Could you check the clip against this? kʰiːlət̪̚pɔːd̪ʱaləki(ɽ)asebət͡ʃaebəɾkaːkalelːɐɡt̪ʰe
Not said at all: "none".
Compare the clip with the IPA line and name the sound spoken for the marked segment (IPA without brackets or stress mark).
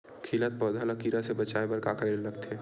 ɾ